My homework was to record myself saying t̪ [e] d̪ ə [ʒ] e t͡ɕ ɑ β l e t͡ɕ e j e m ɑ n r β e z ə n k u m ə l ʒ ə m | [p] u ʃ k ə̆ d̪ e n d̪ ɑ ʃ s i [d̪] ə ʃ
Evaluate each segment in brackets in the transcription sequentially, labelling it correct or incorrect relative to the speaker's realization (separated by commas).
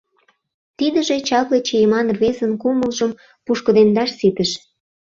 incorrect, correct, correct, incorrect